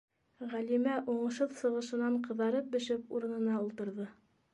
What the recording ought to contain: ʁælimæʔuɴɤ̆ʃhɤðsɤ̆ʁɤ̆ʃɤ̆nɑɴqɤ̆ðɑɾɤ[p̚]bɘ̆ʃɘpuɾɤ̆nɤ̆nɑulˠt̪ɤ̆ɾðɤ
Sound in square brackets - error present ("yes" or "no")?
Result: no